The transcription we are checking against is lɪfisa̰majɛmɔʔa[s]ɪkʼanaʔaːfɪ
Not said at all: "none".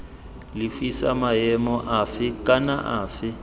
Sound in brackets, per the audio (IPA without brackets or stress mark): f